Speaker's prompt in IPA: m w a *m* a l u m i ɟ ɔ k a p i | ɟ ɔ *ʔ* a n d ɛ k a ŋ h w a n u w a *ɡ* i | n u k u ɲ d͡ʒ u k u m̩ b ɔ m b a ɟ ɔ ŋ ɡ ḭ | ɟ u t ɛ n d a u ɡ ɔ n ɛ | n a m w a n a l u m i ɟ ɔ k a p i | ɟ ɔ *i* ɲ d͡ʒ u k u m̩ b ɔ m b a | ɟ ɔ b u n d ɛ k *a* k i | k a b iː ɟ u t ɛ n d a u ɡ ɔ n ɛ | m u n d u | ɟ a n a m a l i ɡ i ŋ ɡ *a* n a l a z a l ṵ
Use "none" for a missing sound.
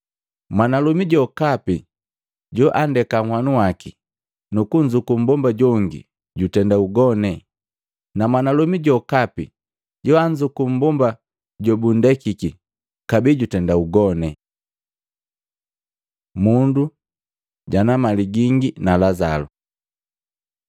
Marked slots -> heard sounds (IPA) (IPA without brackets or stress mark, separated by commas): n, ʔ, k, a, i, i